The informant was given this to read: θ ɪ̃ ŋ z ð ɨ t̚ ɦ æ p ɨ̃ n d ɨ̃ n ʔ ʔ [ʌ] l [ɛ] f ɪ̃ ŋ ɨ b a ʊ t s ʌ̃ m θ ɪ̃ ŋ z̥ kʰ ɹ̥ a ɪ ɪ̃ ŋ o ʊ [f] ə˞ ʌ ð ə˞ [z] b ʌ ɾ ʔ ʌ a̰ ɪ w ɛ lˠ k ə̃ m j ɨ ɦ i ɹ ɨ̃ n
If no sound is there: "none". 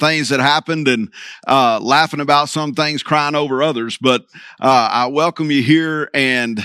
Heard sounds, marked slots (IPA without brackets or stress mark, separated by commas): ʌ, æ, v, z